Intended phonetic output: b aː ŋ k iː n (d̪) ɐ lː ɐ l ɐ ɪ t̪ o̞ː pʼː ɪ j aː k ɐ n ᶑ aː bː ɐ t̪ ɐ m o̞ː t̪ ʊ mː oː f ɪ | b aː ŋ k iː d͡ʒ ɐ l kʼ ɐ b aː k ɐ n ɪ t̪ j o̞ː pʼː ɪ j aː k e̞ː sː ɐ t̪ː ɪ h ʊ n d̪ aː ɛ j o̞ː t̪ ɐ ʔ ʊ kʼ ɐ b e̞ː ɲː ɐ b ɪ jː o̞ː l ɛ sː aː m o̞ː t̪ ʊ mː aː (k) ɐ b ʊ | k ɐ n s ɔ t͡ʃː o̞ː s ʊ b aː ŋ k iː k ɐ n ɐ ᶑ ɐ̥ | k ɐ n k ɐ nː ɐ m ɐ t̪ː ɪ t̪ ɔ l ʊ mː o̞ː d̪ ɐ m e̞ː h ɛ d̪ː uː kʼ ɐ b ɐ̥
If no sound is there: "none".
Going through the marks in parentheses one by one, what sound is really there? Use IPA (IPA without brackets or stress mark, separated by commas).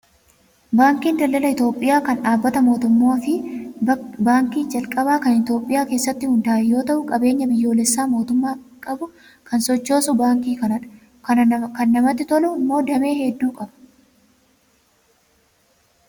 d̪, kʼ